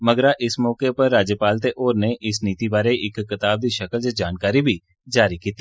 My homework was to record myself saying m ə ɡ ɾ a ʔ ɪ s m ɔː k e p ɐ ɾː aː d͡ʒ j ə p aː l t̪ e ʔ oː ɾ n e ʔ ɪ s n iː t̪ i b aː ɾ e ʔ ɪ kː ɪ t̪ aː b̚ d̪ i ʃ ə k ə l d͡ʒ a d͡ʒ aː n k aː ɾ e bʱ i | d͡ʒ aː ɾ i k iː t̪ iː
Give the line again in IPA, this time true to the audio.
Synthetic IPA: m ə ɡ ɾ a ʔ ɪ s m ɔː k e p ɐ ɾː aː d͡ʒ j ə p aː l t̪ e ʔ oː ɾ n e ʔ ɪ s n iː t̪ i b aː ɾ e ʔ ɪ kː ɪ t̪ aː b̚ d̪ i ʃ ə k ə l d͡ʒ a d͡ʒ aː n k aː ɾ i bʱ i | d͡ʒ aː ɾ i k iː t̪ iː